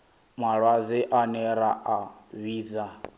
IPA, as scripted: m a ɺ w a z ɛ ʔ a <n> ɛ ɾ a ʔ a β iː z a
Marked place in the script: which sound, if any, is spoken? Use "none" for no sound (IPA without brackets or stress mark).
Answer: n